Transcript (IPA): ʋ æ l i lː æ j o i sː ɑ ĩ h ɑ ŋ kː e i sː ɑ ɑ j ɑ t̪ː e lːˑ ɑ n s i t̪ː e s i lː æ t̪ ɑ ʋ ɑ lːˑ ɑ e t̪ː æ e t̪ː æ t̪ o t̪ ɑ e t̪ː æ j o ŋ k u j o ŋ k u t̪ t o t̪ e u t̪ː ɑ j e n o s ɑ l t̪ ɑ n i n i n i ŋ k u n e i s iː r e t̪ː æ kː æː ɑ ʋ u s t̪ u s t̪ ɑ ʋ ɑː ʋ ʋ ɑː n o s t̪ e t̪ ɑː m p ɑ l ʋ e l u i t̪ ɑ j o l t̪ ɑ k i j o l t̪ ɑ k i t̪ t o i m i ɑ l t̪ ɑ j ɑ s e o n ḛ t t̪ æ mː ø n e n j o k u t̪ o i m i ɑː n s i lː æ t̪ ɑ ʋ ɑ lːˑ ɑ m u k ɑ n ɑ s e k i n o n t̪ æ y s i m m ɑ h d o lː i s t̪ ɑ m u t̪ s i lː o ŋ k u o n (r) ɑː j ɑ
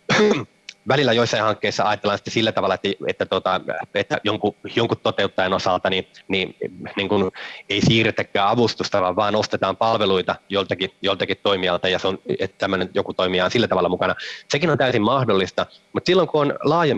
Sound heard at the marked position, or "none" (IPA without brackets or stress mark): l